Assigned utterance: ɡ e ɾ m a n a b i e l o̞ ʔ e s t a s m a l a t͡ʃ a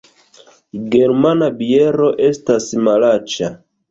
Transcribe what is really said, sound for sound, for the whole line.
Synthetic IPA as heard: ɡ e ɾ m a n a b i e ɾ o̞ ʔ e s t a s m a l a t͡ʃ a